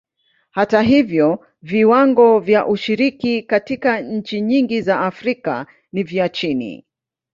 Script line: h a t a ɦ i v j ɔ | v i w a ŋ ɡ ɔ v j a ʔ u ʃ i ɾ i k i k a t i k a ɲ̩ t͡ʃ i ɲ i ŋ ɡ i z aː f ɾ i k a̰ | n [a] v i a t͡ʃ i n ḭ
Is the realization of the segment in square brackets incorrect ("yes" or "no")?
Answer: yes